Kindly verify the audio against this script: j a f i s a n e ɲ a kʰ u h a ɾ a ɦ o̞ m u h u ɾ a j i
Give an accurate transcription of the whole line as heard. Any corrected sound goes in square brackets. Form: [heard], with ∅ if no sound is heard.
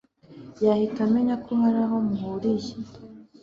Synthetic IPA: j a [h] i [t] a [m] e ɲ a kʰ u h a ɾ a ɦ o̞ m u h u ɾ [i] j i